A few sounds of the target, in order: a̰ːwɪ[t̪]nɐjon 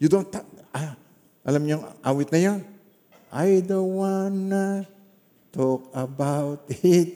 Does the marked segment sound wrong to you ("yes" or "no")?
no